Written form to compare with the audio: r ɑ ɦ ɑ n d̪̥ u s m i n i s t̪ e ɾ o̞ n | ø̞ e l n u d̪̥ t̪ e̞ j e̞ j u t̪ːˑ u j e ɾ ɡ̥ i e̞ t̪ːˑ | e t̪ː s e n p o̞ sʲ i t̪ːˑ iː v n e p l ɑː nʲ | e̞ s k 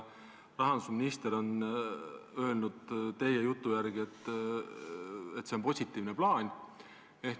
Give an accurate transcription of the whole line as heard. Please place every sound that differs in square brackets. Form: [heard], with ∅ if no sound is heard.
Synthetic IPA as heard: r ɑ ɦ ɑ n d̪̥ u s m i n i s t̪ e ɾ o̞ n | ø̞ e l n u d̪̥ t̪ e̞ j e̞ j u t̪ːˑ u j [æ] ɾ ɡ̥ i e̞ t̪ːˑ | e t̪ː s e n p o̞ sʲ i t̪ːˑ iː v n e p l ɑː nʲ | e̞ [h] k